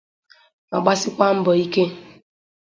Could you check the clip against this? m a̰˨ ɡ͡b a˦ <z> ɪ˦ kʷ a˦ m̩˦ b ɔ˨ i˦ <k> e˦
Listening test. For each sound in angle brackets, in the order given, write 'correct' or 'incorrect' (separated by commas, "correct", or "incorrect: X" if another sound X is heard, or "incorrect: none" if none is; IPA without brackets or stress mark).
incorrect: s, correct